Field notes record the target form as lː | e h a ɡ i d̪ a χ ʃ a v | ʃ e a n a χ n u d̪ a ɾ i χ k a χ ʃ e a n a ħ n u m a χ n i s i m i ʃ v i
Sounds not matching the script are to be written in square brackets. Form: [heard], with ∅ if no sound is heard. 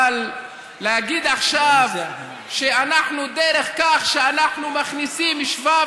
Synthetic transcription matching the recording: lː | e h a ɡ i d̪ a χ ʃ a v | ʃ e a n a [ħ] n u d̪ [e] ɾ [e] χ k a χ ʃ e a n a ħ n u m a χ n i s i m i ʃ v [a]